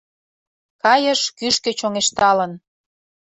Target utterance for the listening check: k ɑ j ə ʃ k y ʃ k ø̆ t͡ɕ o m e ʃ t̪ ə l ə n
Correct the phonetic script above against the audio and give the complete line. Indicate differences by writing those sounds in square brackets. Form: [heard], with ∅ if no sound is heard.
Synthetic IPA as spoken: k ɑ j ə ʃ k y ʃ k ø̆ t͡ɕ o [ŋ] e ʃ t̪ [ɑ] l ə n